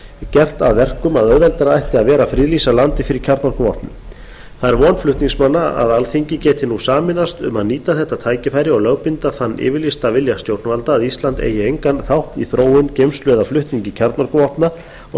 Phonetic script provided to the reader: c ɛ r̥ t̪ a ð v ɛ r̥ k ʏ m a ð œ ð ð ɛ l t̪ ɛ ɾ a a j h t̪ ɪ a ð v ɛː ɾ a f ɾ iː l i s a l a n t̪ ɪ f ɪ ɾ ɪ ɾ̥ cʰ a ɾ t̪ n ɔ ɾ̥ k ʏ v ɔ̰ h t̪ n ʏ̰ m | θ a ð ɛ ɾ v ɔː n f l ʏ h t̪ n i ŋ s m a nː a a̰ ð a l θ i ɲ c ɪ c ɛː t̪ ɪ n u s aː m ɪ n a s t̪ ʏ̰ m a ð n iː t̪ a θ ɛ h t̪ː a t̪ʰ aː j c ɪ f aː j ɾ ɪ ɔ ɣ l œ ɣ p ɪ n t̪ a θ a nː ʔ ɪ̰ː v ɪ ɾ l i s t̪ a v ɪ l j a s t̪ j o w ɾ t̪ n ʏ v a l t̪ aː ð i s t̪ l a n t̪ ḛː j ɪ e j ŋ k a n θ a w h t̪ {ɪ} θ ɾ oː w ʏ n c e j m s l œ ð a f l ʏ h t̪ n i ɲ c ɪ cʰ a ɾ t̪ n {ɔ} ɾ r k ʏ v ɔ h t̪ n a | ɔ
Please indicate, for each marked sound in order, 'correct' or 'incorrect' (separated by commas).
incorrect, correct